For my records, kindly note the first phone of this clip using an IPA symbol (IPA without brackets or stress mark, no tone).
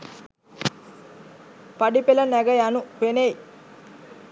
p